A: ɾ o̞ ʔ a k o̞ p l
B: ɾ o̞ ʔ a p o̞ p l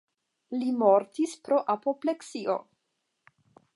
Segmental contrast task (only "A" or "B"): B